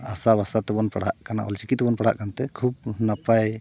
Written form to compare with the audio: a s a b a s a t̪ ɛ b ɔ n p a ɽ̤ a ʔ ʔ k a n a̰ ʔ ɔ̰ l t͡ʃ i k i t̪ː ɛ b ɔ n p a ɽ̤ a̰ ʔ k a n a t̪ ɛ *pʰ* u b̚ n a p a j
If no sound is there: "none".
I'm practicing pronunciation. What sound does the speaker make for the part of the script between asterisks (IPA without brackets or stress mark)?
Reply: kʰ